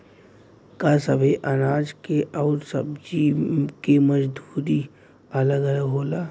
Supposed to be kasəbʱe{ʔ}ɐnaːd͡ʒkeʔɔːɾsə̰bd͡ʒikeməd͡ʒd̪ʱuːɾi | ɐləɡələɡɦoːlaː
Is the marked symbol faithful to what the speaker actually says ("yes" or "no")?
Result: yes